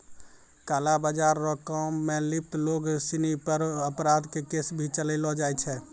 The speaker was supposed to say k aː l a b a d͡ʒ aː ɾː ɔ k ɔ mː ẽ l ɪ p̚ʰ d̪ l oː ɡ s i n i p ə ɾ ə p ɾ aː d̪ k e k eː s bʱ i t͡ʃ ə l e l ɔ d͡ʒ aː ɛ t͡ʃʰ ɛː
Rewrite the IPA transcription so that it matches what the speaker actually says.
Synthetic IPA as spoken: k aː l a b a d͡ʒ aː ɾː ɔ k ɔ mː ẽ l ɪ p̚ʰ t̪ l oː ɡ s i n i p ə ɾ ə p ɾ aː d̪ k e k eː s bʱ i t͡ʃ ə l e l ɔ d͡ʒ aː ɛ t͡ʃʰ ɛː